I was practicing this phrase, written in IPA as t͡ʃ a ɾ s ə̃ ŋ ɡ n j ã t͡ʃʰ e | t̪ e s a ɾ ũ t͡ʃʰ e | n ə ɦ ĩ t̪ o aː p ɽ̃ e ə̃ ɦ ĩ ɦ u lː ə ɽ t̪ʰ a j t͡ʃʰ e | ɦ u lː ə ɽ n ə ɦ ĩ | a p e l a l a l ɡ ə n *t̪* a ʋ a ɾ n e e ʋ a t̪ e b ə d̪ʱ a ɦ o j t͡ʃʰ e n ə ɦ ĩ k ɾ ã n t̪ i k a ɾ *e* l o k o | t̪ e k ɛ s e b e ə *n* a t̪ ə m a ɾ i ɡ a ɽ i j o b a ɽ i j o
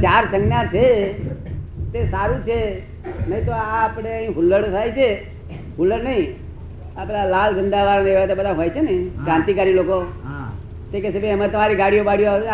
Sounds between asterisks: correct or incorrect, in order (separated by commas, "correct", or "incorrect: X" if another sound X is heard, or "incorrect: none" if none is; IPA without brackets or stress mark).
incorrect: d̪, incorrect: i, incorrect: m